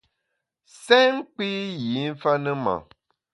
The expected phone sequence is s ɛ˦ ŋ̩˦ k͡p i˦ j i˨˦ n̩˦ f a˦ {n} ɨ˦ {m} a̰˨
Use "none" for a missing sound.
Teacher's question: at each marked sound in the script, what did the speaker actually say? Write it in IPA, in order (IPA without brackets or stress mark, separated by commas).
n, m